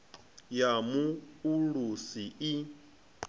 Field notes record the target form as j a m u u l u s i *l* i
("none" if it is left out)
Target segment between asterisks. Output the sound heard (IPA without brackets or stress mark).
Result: none